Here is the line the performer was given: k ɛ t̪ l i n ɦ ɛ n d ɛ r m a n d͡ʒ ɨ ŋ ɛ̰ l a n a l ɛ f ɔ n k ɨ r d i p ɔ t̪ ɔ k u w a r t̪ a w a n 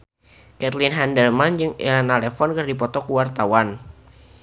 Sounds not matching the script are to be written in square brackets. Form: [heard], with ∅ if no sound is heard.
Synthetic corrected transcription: k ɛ t̪ l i n ɦ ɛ n d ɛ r m a n d͡ʒ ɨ ŋ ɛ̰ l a n a l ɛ f ɔ n k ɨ r d i p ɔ t̪ ɔ k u w a r t̪ a w a n